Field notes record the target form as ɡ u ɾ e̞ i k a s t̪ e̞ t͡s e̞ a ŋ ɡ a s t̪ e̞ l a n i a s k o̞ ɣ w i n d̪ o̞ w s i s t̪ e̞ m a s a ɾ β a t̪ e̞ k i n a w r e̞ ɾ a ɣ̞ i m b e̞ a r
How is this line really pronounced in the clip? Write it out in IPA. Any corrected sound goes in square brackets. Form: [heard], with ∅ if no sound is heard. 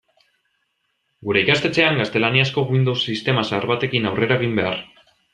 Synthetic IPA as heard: ɡ u ɾ e̞ i k a s t̪ e̞ t͡s e̞ a ŋ ɡ a s t̪ e̞ l a n i a s k o̞ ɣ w i n d̪ o̞ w s i s t̪ e̞ m a s a ɾ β a t̪ e̞ k i n a w r e̞ ɾ a ɣ̞ i m b e̞ a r